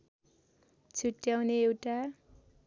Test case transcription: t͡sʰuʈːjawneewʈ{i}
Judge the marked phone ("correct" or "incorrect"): incorrect